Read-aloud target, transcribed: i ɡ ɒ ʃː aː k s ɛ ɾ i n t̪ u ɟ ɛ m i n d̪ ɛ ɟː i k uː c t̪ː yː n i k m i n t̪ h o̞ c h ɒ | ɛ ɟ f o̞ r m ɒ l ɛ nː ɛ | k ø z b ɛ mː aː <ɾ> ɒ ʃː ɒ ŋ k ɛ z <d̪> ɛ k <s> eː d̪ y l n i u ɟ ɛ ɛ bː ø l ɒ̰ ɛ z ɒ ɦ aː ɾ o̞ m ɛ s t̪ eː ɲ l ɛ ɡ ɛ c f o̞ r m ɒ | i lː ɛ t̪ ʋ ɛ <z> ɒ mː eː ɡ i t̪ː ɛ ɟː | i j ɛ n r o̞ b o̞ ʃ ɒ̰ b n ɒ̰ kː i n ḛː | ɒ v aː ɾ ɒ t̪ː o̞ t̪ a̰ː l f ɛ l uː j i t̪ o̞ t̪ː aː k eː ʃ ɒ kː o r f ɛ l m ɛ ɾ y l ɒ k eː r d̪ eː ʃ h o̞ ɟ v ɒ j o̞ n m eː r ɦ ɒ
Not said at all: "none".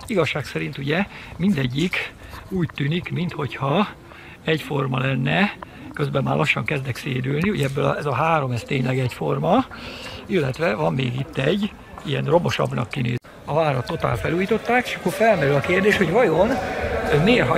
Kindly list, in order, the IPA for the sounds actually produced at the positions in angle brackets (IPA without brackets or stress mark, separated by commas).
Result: l, d̪, s, v